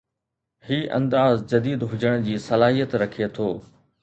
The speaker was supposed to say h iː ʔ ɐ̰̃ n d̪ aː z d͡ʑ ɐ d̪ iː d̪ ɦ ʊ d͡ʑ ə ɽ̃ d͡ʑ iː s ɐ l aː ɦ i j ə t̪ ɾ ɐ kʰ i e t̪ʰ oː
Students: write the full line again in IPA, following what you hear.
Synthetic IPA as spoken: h iː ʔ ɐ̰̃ n d̪ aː z d͡ʑ ɐ d̪ iː d̪ ɦ ʊ d͡ʑ ə ɽ̃ d͡ʑ iː s ɐ l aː ɦ i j ə t̪ ɾ ɐ kʰ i e t̪ʰ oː